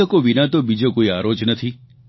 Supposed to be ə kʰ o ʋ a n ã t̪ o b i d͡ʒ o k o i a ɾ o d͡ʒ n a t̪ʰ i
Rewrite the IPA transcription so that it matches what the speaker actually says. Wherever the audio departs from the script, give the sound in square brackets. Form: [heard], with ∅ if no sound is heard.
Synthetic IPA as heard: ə [k] o ʋ [i] n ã t̪ o b i d͡ʒ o k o i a ɾ o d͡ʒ n [ə] t̪ʰ i